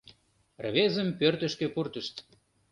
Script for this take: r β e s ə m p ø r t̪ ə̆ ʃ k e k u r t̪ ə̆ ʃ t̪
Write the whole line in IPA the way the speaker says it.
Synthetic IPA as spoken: r β e z ə m p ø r t̪ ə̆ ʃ k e p u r t̪ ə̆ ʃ t̪